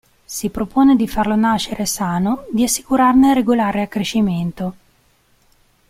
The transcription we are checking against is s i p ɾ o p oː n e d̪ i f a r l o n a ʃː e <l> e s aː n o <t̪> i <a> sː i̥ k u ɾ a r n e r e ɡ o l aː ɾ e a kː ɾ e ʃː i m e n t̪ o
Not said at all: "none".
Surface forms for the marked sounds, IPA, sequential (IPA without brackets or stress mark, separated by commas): ɾ, d̪, a